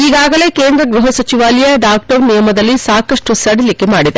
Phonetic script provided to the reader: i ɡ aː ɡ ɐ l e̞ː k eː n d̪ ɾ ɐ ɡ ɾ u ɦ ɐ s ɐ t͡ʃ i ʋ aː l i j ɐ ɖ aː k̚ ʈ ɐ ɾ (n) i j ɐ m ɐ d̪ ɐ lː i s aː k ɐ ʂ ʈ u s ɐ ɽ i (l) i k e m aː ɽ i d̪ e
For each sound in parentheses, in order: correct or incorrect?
correct, correct

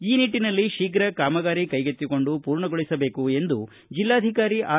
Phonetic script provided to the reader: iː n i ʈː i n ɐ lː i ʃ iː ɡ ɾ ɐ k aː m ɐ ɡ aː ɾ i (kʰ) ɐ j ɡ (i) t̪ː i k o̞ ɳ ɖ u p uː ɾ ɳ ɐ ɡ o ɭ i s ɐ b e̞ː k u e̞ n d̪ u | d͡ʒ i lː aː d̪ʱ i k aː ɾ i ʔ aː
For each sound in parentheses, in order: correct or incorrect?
incorrect: k, incorrect: e

